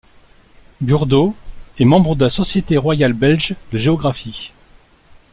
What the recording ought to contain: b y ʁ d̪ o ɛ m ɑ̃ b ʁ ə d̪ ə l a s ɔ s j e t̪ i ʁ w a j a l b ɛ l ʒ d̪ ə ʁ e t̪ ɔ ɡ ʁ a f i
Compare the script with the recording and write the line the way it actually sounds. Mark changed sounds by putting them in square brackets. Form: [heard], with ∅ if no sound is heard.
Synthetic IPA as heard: b y ʁ d̪ o ɛ m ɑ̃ b ʁ ə d̪ ə l a s ɔ s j e t̪ [e] ʁ w a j a l b ɛ l ʒ d̪ ə [ʒ] e [∅] ɔ ɡ ʁ a f i